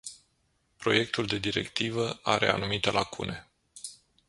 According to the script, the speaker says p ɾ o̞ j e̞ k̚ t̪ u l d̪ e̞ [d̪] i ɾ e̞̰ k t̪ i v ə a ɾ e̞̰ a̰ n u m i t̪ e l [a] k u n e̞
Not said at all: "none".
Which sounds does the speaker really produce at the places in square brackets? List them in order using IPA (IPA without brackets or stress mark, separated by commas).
d̪, a